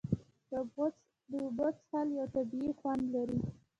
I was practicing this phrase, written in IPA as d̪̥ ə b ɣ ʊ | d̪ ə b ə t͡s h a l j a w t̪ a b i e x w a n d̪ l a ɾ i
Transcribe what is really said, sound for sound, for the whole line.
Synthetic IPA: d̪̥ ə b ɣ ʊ | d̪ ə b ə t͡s h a l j a w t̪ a b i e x w a n d̪ l a ɾ i